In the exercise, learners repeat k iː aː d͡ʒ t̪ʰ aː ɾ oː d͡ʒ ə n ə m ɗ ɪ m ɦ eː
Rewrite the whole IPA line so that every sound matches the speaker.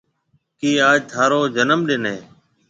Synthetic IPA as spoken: k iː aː d͡ʒ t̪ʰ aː ɾ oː d͡ʒ ə n ə m ɗ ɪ n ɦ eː